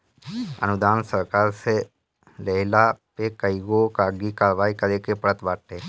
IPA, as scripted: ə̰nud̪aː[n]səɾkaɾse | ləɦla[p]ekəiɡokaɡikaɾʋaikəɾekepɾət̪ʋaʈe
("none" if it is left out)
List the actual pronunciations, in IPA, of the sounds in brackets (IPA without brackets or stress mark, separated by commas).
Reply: n, p